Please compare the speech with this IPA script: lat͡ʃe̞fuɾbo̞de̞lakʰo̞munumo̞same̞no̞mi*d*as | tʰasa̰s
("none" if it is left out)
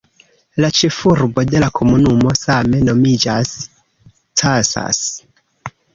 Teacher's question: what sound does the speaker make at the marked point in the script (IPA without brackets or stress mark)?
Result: d͡ʒ